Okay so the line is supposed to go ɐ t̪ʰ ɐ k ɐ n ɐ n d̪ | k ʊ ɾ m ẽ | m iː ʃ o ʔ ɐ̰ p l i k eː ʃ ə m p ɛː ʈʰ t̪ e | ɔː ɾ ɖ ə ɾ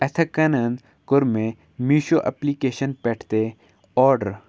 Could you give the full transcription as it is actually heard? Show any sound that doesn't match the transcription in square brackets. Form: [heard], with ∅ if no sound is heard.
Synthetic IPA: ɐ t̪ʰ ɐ k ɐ n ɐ n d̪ | k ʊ ɾ m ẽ | m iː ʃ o ʔ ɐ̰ p l i k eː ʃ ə [n] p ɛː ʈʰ t̪ e | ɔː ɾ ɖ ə ɾ